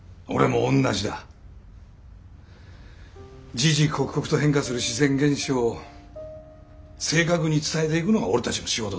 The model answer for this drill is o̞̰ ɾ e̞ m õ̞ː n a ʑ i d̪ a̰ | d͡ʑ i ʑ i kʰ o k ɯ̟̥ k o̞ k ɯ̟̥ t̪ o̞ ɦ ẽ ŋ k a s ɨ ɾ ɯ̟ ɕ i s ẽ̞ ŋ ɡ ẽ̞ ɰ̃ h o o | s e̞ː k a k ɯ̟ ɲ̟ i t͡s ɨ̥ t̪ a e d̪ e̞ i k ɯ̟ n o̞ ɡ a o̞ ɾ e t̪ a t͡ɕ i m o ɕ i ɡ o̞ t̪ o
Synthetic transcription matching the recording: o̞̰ ɾ e̞ m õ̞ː nː a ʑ i d̪ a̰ | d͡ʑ i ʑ i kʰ o k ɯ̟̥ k o̞ k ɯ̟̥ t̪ o̞ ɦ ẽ ŋ k a s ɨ ɾ ɯ̟ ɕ i z ẽ̞ ŋ ɡ ẽ̞ ɰ̃ ɕ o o | s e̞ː k a k ɯ̟ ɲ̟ i t͡s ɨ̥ t̪ a e t̪ e̞ i k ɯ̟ n o̞ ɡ a o̞ ɾ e t̪ a t͡ɕ i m o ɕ i ɡ o̞ t̪ o